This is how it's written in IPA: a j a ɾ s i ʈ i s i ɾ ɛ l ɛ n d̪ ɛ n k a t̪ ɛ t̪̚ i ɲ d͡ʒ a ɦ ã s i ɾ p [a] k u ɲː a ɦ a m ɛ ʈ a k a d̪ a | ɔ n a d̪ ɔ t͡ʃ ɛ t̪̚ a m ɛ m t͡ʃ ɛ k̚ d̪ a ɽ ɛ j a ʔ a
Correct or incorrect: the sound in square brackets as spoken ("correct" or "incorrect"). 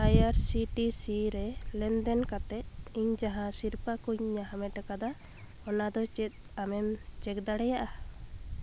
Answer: correct